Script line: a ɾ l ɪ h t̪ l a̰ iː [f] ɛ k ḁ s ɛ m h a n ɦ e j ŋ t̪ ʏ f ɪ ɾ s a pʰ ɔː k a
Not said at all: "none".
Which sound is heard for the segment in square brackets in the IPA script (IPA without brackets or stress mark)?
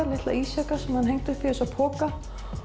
s